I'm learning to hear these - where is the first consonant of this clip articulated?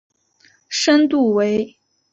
retroflex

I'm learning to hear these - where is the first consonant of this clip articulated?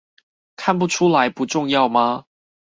velum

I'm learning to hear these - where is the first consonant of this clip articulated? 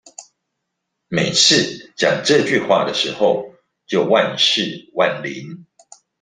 lips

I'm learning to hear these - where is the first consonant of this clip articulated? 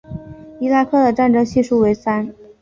tongue tip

